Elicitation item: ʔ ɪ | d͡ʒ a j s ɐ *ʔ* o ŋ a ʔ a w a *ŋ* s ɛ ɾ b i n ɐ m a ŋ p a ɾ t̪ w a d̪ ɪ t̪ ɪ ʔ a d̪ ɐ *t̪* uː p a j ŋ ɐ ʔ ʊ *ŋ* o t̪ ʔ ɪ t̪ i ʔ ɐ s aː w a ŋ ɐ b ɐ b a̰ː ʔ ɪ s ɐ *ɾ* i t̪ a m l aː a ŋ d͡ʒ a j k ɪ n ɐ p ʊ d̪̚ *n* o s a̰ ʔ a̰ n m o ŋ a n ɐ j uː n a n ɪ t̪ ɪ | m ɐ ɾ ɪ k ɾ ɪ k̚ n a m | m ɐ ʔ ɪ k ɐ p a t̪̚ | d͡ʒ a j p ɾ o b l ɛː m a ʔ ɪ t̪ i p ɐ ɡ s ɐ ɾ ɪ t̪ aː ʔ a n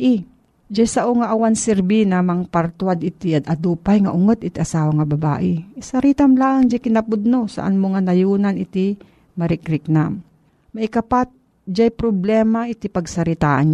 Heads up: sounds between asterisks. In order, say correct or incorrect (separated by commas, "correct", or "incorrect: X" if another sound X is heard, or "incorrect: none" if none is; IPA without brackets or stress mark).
correct, incorrect: n, incorrect: d̪, correct, correct, correct